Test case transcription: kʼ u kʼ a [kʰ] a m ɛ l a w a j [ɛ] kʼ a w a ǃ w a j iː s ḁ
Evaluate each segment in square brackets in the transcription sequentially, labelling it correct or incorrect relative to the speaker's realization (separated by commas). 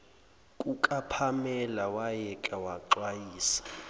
incorrect, correct